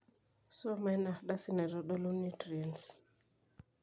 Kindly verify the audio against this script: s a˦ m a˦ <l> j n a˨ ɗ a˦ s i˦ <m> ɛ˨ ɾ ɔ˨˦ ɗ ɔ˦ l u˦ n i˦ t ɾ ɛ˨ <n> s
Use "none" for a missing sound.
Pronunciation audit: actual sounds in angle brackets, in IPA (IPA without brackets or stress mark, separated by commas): none, n, n